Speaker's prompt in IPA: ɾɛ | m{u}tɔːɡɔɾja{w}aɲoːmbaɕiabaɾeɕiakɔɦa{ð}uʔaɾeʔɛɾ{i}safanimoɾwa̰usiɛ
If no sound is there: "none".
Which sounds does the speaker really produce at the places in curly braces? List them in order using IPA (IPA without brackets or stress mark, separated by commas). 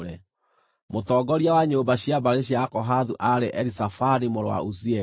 o, w, ð, i